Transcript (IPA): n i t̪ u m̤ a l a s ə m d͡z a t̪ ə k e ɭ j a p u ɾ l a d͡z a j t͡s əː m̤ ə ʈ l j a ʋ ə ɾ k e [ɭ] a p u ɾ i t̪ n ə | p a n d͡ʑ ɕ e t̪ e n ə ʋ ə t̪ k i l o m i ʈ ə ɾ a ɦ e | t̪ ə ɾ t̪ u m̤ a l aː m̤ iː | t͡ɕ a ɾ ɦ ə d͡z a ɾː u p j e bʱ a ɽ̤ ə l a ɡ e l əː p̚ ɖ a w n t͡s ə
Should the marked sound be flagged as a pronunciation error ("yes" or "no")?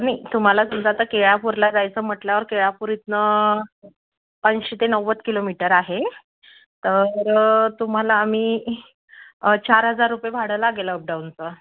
no